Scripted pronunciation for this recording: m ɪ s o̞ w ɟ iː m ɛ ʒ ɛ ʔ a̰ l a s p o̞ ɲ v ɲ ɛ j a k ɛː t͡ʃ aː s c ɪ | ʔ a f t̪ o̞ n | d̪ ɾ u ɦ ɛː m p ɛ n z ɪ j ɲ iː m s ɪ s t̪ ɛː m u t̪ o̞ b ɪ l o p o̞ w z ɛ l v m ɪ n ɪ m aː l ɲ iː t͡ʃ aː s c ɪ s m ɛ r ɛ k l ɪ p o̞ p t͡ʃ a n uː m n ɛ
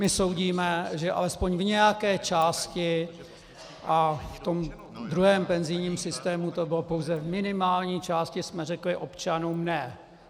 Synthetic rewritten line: m ɪ s o̞ w ɟ iː m ɛ ʒ ɛ ʔ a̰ l ɛ s p o̞ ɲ v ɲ ɛ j a k ɛː t͡ʃ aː s c ɪ | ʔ a f t̪ o̞ m | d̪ ɾ u ɦ ɛː m p ɛ n z ɪ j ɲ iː m s ɪ s t̪ ɛː m u t̪ o̞ b ɪ l o p o̞ w z ɛ v m ɪ n ɪ m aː l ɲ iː t͡ʃ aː s c ɪ s m ɛ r ɛ k l ɪ ʔ o̞ p t͡ʃ a n uː m n ɛ

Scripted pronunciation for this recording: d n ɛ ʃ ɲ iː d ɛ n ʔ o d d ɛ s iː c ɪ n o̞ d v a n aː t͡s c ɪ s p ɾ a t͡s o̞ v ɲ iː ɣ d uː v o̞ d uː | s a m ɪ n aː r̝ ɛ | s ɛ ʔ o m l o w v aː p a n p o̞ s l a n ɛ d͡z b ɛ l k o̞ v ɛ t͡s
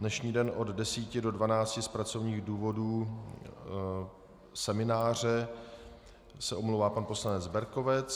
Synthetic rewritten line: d n ɛ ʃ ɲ iː d ɛ n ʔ o d d ɛ s iː c ɪ d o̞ d v a n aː t͡s c ɪ s p ɾ a t͡s o̞ v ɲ iː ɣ d uː v o̞ d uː | s ɛ m ɪ n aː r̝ ɛ | s ɛ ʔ o m l o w v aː p a n p o̞ s l a n ɛ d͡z b ɛ ɾ k o̞ v ɛ t͡s

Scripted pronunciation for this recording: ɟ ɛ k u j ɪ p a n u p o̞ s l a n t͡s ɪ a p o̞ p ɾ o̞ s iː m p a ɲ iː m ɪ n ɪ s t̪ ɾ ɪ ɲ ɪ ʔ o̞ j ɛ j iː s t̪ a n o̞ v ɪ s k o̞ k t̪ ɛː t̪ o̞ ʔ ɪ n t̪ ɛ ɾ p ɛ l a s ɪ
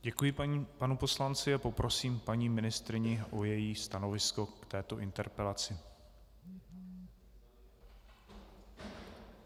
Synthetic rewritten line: ɟ ɛ k u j ɪ p a n u p o̞ s l a n t͡s ɪ a p o̞ p ɾ o̞ s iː m p a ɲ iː m ɪ n ɪ s t̪ ɾ ɪ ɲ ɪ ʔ o̞ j ɛ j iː s t̪ a n o̞ v ɪ s k o̞ k t̪ ɛː t̪ o̞ ʔ ɪ n t̪ ɛ ɾ p ɛ l a t͡s ɪ

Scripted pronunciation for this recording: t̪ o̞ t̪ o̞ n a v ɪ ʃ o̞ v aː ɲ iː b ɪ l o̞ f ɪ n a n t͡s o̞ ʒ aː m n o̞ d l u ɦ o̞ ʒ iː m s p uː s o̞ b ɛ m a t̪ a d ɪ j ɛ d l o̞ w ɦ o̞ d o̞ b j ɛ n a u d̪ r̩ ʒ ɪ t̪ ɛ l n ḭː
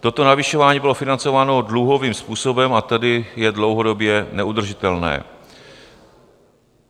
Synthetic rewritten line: t̪ o̞ t̪ o̞ n a v ɪ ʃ o̞ v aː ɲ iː b ɪ l o̞ f ɪ n a n t͡s o̞ v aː n o̞ d l u ɦ o̞ v iː m s p uː s o̞ b ɛ m a t̪ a d ɪ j ɛ d l o̞ w ɦ o̞ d o̞ b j ɛ n ɛ u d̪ r̩ ʒ ɪ t̪ ɛ l n ɛ̰ː

